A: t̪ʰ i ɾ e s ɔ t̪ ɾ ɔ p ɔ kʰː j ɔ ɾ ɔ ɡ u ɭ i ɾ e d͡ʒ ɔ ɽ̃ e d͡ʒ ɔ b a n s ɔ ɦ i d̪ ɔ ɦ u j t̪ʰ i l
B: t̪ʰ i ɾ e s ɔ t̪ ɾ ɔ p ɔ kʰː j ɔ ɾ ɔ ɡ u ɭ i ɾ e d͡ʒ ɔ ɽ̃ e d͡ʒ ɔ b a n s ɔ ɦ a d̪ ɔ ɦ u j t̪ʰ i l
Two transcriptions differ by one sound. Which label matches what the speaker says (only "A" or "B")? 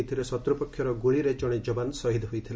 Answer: A